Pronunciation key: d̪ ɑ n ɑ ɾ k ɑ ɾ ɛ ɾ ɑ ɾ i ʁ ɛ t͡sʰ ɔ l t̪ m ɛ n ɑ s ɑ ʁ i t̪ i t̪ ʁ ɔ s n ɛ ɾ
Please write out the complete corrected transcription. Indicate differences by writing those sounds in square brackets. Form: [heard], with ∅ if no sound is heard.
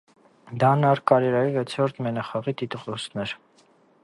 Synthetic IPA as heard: d̪ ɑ n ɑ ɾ k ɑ ɾ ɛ ɾ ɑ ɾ i [v] ɛ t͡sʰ ɔ [ɾ] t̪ m ɛ n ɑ [χ] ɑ ʁ i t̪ i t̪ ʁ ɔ s n ɛ ɾ